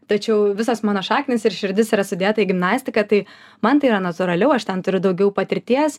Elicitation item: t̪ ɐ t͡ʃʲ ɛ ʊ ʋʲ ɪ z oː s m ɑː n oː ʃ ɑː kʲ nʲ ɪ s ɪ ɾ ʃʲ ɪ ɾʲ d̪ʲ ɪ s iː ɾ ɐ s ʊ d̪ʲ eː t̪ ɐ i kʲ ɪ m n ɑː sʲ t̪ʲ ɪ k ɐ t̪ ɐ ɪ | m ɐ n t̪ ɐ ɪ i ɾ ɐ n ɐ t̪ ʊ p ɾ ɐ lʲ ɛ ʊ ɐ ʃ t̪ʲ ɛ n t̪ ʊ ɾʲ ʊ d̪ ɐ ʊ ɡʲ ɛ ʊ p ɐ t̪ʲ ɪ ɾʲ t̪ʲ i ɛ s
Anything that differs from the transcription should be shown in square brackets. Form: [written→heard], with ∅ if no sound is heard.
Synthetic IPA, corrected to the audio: t̪ ɐ t͡ʃʲ ɛ ʊ ʋʲ ɪ [z→s] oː s m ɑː n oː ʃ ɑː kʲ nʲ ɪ s ɪ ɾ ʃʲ ɪ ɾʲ d̪ʲ ɪ s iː ɾ ɐ s ʊ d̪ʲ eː t̪ ɐ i [kʲ→ɡʲ] ɪ m n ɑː sʲ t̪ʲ ɪ k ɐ t̪ ɐ ɪ | m ɐ n t̪ ɐ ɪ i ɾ ɐ n ɐ t̪ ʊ [p→∅] ɾ ɐ lʲ ɛ ʊ ɐ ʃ t̪ʲ ɛ n t̪ ʊ ɾʲ ʊ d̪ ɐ ʊ ɡʲ ɛ ʊ p ɐ t̪ʲ ɪ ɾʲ t̪ʲ i ɛ s